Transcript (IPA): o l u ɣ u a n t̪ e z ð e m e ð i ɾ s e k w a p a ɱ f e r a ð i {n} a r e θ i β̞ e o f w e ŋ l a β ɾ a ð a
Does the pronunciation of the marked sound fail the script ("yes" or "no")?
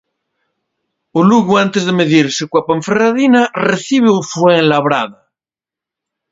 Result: no